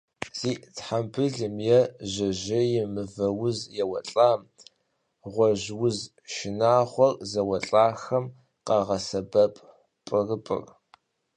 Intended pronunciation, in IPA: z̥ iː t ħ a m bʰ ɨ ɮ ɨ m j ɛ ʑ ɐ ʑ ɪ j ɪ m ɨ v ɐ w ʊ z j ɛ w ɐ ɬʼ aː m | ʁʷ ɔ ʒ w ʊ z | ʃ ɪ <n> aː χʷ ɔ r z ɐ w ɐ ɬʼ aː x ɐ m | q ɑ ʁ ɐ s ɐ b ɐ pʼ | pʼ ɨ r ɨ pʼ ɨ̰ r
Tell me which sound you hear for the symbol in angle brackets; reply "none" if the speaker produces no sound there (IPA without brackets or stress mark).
n